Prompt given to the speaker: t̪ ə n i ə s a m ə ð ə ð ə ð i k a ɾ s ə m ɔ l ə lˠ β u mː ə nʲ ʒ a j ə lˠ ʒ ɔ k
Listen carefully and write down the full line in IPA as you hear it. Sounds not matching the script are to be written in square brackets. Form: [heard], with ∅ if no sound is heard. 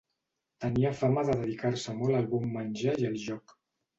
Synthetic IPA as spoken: t̪ ə n i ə [f] a m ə ð ə ð ə ð i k a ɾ s ə m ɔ l ə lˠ β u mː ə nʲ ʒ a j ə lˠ ʒ ɔ k